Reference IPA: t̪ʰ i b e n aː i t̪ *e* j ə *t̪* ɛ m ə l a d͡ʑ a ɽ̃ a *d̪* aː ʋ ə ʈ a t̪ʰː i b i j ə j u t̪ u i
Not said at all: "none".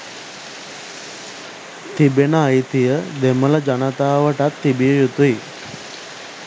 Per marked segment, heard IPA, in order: i, d̪, t̪

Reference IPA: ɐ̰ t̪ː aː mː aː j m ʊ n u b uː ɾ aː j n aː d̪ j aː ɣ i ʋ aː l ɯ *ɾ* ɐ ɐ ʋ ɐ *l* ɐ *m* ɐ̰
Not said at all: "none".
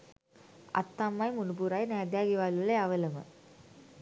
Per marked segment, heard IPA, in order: l, l, m

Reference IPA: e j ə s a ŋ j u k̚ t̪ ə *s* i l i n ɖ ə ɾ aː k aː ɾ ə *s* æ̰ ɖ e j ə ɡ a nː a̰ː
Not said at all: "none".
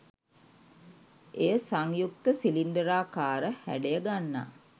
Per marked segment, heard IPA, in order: s, h

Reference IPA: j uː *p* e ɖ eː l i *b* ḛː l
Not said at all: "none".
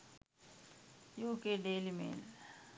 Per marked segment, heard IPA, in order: k, m

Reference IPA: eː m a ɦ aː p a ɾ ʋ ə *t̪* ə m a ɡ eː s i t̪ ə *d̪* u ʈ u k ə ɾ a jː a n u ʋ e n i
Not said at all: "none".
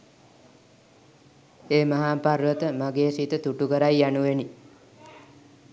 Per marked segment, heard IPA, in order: t̪, t̪

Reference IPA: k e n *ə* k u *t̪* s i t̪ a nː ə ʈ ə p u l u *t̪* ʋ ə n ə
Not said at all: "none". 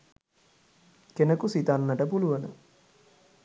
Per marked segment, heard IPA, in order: ə, none, none

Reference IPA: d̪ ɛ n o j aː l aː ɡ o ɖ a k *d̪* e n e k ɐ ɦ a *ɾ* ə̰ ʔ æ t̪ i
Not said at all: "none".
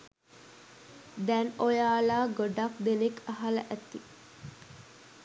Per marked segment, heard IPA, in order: d̪, l

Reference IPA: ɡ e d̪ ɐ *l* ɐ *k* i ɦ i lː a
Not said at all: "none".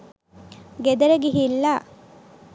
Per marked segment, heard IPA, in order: ɾ, ɡ

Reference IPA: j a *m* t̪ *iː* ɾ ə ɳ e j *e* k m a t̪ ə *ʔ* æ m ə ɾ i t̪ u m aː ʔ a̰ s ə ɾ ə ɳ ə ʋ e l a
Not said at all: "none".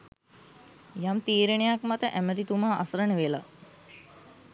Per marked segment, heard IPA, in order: m, iː, a, ʔ

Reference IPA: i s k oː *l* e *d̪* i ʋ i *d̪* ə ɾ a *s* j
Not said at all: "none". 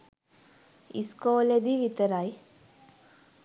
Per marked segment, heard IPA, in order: l, d̪, t̪, none

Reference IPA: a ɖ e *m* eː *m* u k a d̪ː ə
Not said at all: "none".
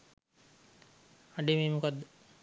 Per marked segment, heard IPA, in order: m, m

